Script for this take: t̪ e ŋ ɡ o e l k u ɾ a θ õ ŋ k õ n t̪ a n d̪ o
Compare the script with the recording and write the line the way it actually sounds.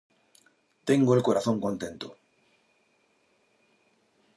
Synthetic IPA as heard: t̪ e ŋ ɡ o e l k o ɾ a θ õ ŋ k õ n t̪ e n t̪ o